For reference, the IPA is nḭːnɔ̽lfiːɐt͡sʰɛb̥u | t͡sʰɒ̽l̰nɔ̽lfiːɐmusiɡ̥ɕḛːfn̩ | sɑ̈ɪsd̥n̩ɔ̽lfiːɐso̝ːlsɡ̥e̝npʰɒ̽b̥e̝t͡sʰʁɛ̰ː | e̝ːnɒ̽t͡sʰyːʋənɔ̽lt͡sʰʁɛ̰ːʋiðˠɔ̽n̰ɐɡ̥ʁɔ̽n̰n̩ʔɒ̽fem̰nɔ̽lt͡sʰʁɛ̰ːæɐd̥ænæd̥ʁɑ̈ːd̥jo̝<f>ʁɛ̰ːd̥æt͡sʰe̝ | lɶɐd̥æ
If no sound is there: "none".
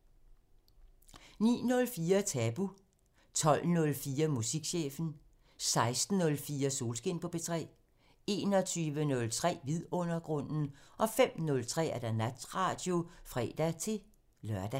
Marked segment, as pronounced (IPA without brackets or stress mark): f